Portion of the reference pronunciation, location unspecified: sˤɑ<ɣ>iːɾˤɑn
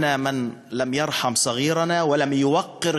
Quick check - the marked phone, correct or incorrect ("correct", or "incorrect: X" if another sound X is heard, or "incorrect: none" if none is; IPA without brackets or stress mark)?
correct